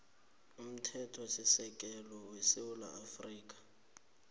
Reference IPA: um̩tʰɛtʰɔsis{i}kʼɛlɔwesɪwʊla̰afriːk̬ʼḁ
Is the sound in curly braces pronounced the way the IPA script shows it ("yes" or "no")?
no